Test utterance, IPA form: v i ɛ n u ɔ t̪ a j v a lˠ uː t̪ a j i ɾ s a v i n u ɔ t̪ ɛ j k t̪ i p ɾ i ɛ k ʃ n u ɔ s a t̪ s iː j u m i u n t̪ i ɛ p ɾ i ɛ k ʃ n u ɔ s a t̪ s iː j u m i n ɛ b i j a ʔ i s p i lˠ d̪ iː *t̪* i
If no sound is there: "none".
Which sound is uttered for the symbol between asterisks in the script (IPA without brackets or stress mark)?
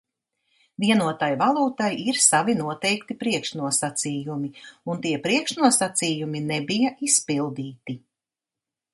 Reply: t̪